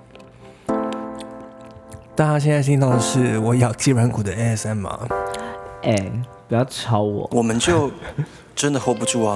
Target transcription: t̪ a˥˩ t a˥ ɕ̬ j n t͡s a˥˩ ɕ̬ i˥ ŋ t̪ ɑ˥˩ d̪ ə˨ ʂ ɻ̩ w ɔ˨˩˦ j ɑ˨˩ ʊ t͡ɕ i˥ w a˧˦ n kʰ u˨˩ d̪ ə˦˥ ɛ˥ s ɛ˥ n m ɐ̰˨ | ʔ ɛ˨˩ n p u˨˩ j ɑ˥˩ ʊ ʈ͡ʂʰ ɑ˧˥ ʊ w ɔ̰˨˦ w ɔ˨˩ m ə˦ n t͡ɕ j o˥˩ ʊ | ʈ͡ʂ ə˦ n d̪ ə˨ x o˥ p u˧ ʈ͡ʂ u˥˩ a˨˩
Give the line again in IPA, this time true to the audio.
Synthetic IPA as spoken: t̪ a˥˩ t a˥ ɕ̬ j n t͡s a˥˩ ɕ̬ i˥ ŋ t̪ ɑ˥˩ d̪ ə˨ ʂ ɻ̩ w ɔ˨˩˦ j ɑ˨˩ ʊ t͡ɕ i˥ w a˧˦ n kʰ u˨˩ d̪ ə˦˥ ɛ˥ s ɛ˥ n m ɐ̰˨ | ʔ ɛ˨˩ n p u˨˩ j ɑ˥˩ ʊ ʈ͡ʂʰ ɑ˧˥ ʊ w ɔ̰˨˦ w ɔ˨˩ m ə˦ n t͡ɕ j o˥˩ ʊ | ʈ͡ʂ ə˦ n d̪ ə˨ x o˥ p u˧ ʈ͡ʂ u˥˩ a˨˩